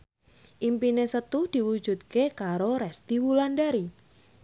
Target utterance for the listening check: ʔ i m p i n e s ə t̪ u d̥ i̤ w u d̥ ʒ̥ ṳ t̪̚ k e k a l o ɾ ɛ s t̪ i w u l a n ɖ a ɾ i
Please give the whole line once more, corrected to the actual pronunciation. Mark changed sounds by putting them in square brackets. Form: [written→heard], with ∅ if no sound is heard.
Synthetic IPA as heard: ʔ i m p i n e s ə t̪ u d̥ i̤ w u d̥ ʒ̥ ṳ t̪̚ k e k a [l→ɾ] o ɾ ɛ s t̪ i w u l a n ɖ a ɾ i

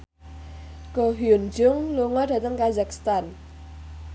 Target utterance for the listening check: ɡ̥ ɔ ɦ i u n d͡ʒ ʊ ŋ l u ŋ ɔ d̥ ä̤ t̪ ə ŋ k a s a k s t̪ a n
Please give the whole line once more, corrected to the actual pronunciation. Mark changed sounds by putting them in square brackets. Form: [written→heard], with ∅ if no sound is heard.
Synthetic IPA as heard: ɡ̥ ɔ ɦ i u n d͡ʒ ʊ ŋ l u ŋ ɔ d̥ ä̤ t̪ ə ŋ k a [s→z] a k s t̪ a n

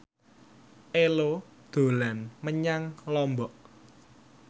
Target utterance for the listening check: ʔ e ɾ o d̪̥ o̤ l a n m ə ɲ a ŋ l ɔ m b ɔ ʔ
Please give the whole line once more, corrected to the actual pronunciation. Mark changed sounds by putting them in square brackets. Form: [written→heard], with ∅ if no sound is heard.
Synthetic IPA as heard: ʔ e [ɾ→l] o d̪̥ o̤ l a n m ə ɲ a ŋ l ɔ m b ɔ ʔ

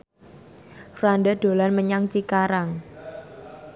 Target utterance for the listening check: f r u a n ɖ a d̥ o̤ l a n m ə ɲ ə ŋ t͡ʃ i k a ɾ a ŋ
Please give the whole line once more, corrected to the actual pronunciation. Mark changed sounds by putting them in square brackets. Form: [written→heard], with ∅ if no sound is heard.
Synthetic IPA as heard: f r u a n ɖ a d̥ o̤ l a n m ə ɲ [ə→a] ŋ t͡ʃ i k a ɾ a ŋ

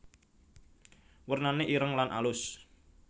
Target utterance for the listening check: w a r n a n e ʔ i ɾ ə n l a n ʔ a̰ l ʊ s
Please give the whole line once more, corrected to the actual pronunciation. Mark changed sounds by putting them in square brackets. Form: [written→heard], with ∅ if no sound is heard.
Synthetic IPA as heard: w [a→ə] r n a n e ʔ i ɾ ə [n→ŋ] l a n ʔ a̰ l ʊ s

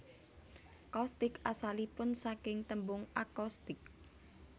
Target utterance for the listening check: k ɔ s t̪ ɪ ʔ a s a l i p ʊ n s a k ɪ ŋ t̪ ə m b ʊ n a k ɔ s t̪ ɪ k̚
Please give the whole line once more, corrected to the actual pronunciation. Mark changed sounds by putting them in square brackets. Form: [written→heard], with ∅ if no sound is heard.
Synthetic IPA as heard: k ɔ s t̪ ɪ [ʔ→k] a s a l i p ʊ n s a k ɪ ŋ t̪ ə m b ʊ [n→ŋ] a k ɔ s t̪ ɪ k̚

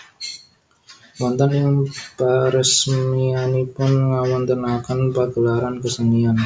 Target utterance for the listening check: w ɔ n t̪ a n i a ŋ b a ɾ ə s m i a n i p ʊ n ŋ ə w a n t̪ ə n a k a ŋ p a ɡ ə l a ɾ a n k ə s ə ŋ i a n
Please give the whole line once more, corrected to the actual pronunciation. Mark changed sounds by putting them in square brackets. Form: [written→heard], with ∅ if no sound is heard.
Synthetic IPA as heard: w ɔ n t̪ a n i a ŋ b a ɾ ə s m i a n i p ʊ n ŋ [ə→a] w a n t̪ ə n a k a [ŋ→n] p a ɡ ə l a ɾ a n k ə s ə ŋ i a n

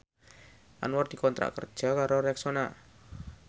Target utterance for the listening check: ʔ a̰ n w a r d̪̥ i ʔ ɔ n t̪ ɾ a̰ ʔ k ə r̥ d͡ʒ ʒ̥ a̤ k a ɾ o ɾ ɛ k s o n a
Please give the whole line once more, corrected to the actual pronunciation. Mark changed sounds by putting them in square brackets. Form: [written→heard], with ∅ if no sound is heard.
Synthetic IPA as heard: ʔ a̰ n w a r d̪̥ i [ʔ→k] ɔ n t̪ ɾ a̰ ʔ k ə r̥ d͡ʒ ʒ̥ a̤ k a ɾ o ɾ ɛ k s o n a

